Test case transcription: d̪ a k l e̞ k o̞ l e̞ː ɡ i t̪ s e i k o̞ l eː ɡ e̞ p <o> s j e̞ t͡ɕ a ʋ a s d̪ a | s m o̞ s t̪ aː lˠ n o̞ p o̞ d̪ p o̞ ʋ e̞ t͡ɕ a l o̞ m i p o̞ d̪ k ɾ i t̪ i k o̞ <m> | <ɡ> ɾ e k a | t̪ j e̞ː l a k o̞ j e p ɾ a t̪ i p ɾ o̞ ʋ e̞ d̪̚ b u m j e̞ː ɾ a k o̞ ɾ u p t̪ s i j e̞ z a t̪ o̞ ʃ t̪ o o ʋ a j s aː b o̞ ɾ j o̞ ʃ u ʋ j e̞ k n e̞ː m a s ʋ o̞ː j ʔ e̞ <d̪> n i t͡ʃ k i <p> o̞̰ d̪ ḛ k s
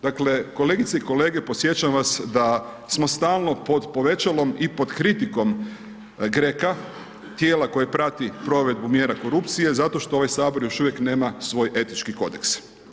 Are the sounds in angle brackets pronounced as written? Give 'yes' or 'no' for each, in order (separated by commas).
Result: yes, yes, yes, no, no